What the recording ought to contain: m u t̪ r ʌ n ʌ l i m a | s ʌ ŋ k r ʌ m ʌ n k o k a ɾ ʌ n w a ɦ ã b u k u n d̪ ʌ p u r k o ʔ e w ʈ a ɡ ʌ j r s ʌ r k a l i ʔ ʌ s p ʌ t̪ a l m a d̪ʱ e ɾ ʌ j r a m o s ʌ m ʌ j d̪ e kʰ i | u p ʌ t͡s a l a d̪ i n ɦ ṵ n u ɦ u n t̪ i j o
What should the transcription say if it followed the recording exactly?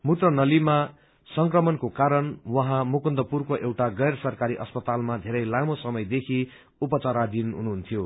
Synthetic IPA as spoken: m u t̪ r ʌ n ʌ l i m a | s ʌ ŋ k r ʌ m ʌ n k o k a ɾ ʌ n w ʌ ɦ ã m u k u n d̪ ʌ p u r k o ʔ e w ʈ a ɡ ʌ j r s ʌ r k a ɾ i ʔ ʌ s p ʌ t̪ a l m a d̪ʱ e ɾ ʌ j l a m o s ʌ m ʌ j d̪ e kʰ i | u p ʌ t͡s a ɾ a d̪ i n ɦ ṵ n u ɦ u n t̪ʰ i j o